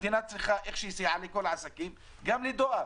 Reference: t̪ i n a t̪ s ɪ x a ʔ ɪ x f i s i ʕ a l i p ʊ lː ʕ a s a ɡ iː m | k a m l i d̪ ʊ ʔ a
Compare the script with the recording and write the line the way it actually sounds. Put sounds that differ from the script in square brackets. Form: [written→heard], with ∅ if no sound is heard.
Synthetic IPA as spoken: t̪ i n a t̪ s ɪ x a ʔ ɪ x [f→ʃ] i s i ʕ a l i [p→k] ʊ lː ʕ a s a [ɡ→k] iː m | [k→ɡ] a m l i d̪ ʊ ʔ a